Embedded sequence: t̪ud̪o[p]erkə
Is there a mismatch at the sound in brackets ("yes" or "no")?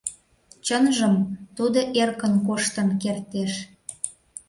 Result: yes